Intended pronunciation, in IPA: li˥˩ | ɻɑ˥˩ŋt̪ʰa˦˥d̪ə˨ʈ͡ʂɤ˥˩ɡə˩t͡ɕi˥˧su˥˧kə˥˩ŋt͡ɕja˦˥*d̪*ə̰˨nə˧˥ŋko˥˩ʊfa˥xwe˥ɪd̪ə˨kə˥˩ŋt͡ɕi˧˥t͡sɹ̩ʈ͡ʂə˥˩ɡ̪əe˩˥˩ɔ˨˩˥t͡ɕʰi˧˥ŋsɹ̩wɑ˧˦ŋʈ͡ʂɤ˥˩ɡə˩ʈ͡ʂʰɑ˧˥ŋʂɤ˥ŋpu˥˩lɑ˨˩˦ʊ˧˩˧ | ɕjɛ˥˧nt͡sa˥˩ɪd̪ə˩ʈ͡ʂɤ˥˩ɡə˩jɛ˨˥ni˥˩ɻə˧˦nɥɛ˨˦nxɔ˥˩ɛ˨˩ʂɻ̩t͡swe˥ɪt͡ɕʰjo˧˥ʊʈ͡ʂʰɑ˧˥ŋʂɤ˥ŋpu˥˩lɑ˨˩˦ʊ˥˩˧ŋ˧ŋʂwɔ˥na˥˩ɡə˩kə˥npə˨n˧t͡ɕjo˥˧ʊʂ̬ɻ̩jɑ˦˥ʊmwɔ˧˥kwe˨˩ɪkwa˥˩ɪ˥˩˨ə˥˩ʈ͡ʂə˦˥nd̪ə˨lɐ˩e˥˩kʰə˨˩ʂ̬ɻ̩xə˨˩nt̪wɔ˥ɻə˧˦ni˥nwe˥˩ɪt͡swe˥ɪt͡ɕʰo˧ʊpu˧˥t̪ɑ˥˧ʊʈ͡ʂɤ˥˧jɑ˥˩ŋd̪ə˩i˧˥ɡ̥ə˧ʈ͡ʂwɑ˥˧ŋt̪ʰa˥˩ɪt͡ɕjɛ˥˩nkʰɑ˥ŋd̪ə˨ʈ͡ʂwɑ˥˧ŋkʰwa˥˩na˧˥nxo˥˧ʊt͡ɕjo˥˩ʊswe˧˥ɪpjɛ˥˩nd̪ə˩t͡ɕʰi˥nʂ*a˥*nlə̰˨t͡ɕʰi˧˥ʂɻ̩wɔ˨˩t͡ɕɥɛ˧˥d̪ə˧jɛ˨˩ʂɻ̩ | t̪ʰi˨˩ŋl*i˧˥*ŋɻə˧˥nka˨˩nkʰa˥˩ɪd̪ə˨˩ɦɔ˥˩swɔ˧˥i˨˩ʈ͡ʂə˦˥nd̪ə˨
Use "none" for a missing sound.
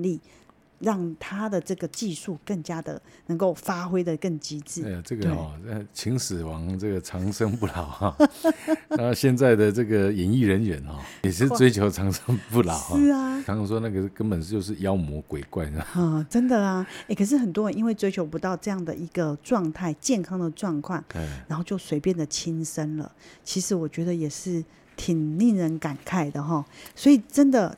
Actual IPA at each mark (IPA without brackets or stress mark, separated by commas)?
d̪, ə˥, i˥˩